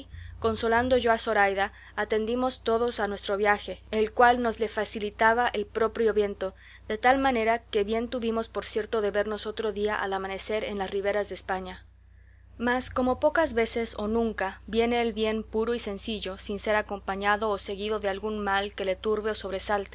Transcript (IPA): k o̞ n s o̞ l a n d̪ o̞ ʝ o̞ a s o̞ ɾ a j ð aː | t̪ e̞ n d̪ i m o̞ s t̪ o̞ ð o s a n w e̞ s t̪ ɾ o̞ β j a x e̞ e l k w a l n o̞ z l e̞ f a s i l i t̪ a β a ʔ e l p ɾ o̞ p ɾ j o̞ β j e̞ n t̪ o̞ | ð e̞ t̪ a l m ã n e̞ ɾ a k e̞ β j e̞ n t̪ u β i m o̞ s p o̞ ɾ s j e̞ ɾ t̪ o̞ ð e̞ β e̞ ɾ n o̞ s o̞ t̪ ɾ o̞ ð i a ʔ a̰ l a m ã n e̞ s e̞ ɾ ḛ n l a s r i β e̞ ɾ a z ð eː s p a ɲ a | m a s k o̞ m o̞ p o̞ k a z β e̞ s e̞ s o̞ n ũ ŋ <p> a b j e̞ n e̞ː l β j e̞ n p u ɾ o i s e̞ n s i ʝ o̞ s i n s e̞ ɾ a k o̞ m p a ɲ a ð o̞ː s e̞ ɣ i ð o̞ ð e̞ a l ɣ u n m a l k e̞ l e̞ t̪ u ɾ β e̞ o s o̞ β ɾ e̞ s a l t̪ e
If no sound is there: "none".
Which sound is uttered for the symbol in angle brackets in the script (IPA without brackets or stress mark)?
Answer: k